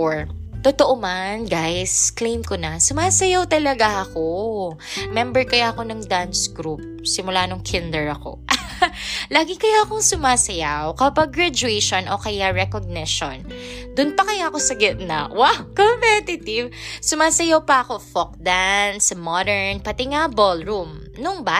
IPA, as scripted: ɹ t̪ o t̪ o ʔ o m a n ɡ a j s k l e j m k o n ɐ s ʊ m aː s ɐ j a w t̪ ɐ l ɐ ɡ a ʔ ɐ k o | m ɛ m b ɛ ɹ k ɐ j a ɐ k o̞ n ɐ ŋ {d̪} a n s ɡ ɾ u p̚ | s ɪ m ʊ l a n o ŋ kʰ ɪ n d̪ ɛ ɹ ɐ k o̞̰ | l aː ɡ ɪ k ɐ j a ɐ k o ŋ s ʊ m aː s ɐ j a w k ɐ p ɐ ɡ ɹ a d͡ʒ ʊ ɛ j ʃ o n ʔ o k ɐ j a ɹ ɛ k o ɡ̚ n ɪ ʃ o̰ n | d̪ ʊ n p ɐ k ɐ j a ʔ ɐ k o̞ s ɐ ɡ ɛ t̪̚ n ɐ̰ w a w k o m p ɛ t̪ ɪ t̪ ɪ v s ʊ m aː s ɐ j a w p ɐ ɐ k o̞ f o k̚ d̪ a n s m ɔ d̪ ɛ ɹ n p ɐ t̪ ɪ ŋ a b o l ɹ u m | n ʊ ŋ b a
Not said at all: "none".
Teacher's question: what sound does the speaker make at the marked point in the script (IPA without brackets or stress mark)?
d̪